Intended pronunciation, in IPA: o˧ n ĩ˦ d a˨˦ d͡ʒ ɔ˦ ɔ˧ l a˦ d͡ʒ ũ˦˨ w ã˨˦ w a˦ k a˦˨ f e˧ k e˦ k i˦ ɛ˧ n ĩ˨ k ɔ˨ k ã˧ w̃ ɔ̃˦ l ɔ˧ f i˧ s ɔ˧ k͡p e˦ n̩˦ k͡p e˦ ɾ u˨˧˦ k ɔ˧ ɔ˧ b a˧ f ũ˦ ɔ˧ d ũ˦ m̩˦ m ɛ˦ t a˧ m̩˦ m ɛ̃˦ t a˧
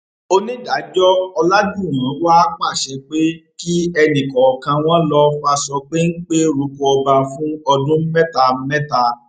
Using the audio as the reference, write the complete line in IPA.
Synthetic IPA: o˧ n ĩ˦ d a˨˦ d͡ʒ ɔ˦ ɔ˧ l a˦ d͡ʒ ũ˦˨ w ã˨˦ w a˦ k͡p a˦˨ ʃ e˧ k͡p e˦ k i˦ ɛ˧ n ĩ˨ k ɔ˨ k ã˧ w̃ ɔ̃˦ l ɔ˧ f a˧ s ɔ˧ k͡p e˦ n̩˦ k͡p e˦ ɾ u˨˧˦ k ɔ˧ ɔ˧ b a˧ f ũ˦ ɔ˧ d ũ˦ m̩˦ m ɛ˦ t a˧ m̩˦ m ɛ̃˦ t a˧